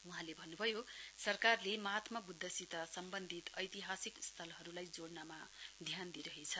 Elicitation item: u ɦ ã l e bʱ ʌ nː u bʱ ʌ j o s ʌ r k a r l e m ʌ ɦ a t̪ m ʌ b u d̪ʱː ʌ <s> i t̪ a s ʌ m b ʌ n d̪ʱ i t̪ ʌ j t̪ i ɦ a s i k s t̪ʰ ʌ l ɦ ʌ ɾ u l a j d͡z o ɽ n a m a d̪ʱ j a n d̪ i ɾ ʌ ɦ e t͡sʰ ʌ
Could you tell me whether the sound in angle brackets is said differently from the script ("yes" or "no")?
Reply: no